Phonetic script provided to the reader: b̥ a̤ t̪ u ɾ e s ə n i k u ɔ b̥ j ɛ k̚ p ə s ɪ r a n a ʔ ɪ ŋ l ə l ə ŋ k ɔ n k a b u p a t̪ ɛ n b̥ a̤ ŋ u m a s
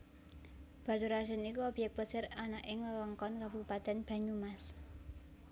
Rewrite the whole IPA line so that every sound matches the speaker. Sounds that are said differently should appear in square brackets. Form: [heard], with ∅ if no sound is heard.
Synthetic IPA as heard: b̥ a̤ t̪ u ɾ [a] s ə n i k u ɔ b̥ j ɛ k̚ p ə s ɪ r a n a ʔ ɪ ŋ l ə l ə ŋ k ɔ n k a b u p a t̪ ɛ n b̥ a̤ [ɲ] u m a s